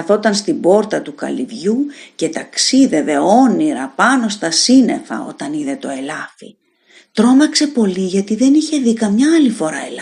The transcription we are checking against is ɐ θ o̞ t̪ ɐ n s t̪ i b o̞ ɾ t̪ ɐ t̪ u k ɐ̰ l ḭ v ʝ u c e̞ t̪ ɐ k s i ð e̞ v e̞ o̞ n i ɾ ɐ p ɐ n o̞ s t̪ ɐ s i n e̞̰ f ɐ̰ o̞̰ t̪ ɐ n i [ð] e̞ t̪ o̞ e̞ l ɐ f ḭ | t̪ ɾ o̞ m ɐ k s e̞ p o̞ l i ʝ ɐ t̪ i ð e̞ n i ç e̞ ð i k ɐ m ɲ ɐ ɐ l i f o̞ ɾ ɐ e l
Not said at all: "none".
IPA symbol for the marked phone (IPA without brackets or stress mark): ð